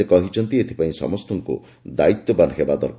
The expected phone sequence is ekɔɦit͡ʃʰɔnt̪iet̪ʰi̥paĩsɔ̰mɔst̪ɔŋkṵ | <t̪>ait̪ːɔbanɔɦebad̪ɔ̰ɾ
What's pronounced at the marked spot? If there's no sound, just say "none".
d̪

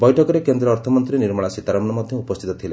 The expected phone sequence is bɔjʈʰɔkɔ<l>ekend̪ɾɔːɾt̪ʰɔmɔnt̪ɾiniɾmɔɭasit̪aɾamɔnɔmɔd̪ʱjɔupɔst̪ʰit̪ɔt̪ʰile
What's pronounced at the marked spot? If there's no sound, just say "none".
ɾ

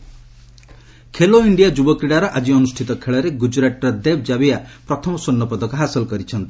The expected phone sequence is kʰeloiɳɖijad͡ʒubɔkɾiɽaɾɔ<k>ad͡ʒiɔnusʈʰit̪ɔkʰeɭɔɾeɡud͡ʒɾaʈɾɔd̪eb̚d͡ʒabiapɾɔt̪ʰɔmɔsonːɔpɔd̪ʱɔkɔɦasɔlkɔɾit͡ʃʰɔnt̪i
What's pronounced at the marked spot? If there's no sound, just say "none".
ʔ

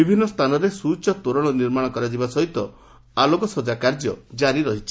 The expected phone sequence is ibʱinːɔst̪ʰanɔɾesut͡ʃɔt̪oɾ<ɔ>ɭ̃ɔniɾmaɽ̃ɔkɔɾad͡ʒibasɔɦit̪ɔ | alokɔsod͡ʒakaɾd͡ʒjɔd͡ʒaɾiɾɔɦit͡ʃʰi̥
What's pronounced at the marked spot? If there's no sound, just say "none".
ɔ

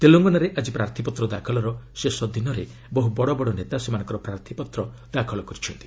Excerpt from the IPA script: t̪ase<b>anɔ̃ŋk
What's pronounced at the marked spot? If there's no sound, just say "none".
m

